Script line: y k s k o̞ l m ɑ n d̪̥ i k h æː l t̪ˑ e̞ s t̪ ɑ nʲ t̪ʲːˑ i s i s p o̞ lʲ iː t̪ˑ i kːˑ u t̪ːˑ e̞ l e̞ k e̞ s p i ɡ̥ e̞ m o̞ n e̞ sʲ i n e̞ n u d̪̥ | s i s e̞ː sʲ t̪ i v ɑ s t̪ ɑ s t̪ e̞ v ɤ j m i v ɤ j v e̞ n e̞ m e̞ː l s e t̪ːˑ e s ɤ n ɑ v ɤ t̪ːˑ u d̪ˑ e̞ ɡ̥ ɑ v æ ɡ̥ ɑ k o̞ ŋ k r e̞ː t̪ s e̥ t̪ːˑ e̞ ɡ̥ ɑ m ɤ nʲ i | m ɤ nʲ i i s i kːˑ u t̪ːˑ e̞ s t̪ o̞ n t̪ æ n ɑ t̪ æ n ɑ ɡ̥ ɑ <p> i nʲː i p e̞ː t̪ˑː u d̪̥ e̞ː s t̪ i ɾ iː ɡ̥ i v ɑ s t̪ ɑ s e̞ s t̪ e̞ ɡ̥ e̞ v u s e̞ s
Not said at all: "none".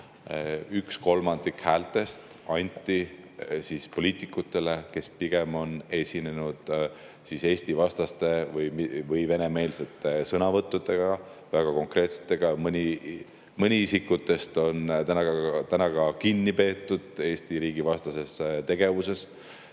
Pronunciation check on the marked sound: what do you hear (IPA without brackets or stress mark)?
k